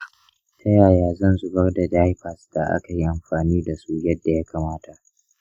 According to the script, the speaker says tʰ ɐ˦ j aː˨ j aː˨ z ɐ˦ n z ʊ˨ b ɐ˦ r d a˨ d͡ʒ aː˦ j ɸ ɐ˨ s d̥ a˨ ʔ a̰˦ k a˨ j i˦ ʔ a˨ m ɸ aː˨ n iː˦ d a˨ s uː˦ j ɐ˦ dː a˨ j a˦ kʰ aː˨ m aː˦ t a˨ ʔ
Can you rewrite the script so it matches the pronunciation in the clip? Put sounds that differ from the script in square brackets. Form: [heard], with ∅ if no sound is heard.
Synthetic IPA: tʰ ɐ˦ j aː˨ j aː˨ z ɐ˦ n z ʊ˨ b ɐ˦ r d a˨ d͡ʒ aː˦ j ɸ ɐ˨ s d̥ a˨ ʔ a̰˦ k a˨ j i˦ ʔ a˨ m ɸ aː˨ n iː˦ d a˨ s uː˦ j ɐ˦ dː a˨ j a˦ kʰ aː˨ m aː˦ t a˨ ʔ